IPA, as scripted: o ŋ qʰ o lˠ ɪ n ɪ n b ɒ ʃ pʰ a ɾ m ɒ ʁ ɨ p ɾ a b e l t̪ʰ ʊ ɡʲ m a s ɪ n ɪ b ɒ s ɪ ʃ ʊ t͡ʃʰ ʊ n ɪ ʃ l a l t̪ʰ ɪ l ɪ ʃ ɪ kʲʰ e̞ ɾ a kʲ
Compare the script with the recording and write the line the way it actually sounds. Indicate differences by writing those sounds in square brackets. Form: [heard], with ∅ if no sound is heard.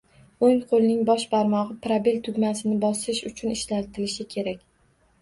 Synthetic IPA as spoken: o ŋ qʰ o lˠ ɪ n ɪ [ŋ] b ɒ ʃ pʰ a ɾ m ɒ ʁ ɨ p ɾ a b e l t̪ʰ ʊ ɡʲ m a s ɪ n ɪ b ɒ s ɪ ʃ ʊ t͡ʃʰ ʊ n ɪ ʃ l a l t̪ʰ ɪ l ɪ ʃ ɪ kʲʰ e̞ ɾ a kʲ